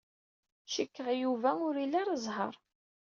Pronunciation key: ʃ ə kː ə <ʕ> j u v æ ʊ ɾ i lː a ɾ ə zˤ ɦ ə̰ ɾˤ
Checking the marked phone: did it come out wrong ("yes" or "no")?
yes